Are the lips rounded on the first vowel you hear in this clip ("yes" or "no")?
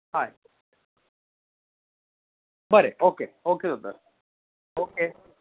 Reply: no